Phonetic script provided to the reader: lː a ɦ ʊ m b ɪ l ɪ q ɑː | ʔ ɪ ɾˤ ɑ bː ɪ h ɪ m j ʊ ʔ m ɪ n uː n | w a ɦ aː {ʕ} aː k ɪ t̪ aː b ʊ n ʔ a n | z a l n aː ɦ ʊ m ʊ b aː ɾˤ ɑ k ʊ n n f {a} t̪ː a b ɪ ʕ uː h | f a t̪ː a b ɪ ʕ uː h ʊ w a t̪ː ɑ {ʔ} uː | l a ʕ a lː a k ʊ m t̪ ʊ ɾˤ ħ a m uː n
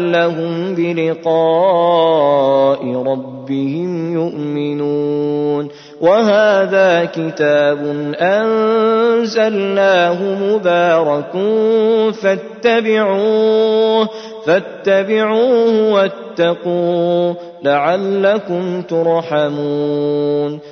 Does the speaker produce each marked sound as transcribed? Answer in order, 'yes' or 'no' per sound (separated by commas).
no, yes, no